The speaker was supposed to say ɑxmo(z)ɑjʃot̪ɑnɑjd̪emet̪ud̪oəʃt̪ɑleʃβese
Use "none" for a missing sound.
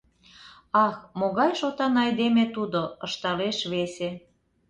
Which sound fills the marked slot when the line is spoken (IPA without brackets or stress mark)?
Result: ɣ